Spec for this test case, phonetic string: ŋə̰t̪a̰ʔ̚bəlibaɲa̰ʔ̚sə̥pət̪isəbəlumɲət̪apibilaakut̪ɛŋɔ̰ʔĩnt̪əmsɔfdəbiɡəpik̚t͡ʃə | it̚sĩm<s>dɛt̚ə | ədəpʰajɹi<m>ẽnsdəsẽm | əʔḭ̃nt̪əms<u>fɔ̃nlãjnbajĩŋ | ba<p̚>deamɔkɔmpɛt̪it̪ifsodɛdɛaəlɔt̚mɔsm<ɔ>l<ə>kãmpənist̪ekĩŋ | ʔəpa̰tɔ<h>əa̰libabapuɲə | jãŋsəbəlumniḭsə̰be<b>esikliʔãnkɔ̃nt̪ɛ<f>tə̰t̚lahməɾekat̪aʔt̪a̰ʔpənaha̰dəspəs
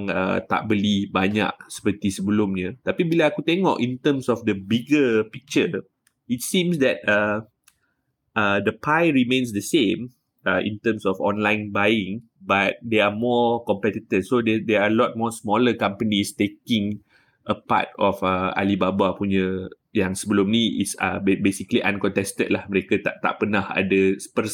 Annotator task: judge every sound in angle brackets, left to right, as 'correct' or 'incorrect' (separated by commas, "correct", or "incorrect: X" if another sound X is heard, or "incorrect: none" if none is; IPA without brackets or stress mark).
correct, correct, incorrect: ɔ, incorrect: t̚, correct, correct, incorrect: f, correct, incorrect: s